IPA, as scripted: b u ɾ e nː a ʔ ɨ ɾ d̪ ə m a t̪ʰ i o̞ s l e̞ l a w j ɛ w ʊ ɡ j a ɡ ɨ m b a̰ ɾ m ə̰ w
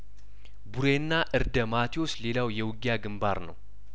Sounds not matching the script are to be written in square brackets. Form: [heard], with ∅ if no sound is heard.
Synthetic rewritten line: b u ɾ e nː a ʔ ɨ ɾ d̪ ə m a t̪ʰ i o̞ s l e̞ l a w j ɛ w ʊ ɡ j a ɡ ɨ m b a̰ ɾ [n] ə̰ w

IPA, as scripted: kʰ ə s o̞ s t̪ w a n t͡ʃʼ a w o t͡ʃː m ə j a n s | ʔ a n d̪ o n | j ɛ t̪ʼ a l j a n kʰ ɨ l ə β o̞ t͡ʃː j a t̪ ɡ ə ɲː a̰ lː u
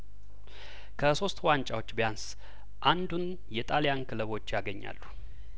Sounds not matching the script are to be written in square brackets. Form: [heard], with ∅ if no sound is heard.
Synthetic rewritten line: kʰ ə s o̞ s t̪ w a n t͡ʃʼ a w o t͡ʃː [b] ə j a n s | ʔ a n d̪ [u] n | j ɛ t̪ʼ a l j a n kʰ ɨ l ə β o̞ t͡ʃː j a [∅] ɡ ə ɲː a̰ lː u

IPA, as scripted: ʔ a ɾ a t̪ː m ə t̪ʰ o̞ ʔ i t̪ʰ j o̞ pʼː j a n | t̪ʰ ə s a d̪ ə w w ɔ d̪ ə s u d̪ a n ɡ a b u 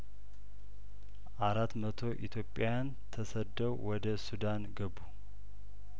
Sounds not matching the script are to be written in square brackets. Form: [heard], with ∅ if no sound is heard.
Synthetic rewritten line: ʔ a ɾ a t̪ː m ə t̪ʰ o̞ ʔ i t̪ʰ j o̞ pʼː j a n | t̪ʰ ə s [ə] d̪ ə w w ɔ d̪ ə s u d̪ a n ɡ [ə] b u

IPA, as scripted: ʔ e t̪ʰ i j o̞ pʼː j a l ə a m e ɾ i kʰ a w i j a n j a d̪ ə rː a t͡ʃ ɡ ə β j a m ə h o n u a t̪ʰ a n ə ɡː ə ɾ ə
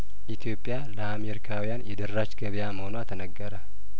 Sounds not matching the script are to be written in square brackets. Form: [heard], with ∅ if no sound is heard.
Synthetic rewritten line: ʔ [i] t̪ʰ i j o̞ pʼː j a l ə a m e ɾ i kʰ a w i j a n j [ɛ] d̪ ə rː a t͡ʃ ɡ ə β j a m ə h o n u a t̪ʰ [ə] n ə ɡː ə ɾ ə

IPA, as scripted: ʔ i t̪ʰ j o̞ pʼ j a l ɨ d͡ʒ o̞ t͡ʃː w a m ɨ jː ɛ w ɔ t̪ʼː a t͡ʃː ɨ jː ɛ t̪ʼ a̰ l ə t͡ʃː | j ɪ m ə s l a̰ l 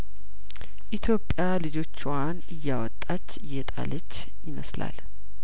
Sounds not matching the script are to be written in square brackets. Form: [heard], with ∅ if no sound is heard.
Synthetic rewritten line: ʔ i t̪ʰ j o̞ pʼ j a l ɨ d͡ʒ o̞ t͡ʃː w a [n] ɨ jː [a] w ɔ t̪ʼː a t͡ʃː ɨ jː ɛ t̪ʼ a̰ l ə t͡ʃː | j ɪ m ə s l a̰ l

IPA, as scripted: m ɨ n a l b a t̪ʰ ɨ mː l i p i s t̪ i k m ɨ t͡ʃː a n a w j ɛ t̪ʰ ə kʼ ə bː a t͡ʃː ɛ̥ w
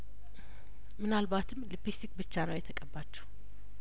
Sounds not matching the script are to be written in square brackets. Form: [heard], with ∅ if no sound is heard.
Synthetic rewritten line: m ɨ n a l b a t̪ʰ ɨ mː l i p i s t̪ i k [b] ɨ t͡ʃː a n [ə] w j ɛ t̪ʰ ə kʼ ə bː a t͡ʃː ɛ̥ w

